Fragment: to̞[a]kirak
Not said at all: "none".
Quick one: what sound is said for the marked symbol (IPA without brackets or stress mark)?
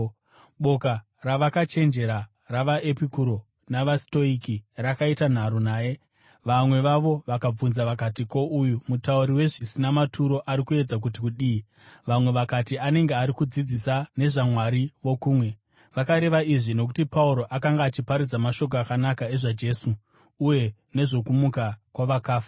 i